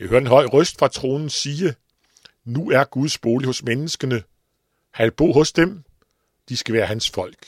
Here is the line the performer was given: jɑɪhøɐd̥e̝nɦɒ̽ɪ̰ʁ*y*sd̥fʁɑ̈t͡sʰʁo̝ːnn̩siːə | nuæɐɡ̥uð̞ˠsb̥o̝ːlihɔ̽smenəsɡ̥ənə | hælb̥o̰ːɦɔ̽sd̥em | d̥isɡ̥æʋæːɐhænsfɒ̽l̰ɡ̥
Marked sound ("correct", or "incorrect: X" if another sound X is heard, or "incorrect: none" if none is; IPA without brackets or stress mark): incorrect: œ